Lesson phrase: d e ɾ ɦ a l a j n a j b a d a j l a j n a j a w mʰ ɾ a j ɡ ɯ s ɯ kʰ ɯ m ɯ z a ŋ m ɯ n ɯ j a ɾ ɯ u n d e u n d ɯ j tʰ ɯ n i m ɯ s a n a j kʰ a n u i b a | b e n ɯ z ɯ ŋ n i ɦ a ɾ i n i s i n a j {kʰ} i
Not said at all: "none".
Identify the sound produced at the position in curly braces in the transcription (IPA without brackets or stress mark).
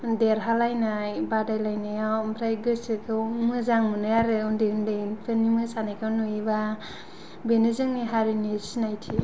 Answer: tʰ